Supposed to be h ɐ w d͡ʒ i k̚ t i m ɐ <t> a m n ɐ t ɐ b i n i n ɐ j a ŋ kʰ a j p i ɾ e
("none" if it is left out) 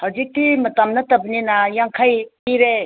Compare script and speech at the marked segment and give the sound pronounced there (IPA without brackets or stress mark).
t